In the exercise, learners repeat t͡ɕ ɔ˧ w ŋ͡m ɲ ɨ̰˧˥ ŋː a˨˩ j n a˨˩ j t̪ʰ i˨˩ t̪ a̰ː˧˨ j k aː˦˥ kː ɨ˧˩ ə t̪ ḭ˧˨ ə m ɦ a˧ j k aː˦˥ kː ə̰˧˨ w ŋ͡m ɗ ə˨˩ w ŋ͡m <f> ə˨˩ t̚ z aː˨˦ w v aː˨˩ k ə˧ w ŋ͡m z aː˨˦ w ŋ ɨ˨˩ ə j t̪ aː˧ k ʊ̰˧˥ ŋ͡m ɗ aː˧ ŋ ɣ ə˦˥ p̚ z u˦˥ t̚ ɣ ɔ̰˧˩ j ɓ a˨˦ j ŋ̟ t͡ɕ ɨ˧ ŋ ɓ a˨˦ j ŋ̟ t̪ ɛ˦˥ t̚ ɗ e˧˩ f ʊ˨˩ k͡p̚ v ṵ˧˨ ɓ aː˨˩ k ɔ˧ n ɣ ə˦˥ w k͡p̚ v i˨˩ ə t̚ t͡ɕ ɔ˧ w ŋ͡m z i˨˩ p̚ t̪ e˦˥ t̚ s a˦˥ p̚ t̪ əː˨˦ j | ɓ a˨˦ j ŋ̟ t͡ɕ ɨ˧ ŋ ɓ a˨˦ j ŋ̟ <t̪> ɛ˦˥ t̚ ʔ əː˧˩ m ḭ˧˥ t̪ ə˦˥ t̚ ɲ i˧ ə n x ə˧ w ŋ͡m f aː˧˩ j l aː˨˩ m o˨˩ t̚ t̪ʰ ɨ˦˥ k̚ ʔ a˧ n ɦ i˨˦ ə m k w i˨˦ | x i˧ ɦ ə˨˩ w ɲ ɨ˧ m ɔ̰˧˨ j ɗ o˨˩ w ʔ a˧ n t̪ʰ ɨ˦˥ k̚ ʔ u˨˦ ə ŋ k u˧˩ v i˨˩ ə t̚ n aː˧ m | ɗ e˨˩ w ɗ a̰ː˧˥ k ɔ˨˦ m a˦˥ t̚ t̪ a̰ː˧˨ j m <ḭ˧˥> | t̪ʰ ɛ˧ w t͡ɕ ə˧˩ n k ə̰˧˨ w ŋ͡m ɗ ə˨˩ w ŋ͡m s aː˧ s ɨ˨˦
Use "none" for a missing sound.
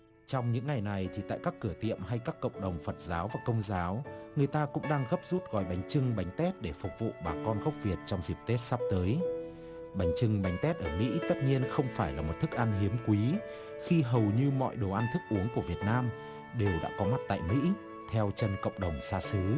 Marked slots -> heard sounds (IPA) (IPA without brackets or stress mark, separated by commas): f, t̪, ḭ˧˥